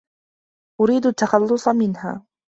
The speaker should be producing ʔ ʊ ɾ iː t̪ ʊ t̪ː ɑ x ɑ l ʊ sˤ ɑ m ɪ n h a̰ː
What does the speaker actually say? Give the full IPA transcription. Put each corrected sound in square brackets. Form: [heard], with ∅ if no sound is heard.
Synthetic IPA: ʔ ʊ ɾ iː [d̪] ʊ t̪ː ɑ x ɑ [lː] ʊ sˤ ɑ m ɪ n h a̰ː

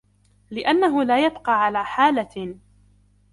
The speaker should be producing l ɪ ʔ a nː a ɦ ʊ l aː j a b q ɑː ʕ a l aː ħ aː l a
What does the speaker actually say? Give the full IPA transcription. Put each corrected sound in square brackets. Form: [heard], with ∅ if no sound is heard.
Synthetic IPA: l ɪ ʔ a nː a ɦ ʊ l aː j a b q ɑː ʕ a l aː ħ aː l a

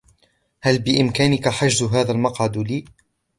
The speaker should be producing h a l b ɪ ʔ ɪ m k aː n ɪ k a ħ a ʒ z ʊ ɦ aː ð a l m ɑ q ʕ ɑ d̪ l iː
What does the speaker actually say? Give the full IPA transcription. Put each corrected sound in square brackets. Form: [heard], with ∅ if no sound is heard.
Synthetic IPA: h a l b ɪ ʔ ɪ m k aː n ɪ k a ħ a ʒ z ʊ ɦ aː ð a l m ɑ q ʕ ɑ d̪ l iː

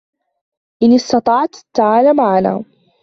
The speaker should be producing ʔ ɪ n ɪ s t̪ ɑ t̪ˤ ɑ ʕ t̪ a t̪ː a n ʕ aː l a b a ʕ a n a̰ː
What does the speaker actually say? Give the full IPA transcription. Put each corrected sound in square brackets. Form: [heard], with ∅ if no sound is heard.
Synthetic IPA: ʔ ɪ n ɪ s t̪ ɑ t̪ˤ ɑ ʕ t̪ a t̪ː a [∅] ʕ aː l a [m] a ʕ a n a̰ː

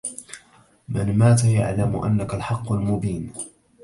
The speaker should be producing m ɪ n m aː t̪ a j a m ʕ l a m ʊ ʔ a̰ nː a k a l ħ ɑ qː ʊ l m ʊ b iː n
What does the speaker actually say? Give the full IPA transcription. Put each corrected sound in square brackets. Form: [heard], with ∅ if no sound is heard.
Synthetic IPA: m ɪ n m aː t̪ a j a [∅] ʕ l a m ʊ ʔ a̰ nː a k a l ħ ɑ qː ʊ l m ʊ b iː n

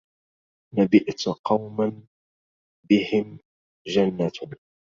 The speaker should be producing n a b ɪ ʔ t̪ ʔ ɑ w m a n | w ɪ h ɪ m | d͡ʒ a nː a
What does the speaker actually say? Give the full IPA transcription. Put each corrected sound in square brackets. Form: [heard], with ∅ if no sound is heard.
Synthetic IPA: n a b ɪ ʔ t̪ [q] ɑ w m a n | [b] ɪ h ɪ m | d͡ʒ a nː a

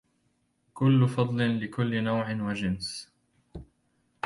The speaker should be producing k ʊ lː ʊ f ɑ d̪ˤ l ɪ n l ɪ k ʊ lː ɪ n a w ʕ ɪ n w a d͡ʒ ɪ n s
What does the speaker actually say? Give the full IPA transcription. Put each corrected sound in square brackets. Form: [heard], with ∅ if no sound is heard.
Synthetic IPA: k ʊ lː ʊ f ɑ d̪ˤ l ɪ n l ɪ k ʊ lː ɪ n a w ʕ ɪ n w a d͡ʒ ɪ n s

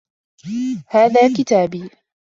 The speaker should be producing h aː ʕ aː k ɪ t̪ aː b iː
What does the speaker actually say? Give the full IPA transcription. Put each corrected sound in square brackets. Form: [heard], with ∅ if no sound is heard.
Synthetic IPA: h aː [ð] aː k ɪ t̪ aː b iː

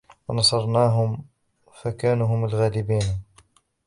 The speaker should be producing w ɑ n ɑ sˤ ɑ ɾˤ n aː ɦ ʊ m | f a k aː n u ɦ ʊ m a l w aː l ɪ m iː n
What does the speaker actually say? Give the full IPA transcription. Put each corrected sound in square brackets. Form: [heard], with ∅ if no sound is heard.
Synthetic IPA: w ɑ n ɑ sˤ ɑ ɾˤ n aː ɦ ʊ m | f a k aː n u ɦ ʊ m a l [ɣ] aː l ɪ [b] iː n

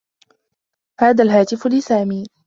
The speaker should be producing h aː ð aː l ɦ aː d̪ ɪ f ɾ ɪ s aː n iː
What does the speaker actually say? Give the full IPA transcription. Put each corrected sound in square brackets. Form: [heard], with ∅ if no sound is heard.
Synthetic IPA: h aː ð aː l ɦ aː [t̪] ɪ f [l] ɪ s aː [m] iː

